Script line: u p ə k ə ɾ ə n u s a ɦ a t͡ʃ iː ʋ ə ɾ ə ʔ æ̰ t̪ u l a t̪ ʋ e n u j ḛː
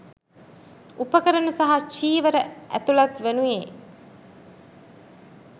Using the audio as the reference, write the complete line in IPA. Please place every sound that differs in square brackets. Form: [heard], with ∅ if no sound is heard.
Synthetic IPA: u p ə k ə ɾ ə n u s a ɦ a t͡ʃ iː ʋ ə ɾ ə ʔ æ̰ t̪ u l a t̪ ʋ e n u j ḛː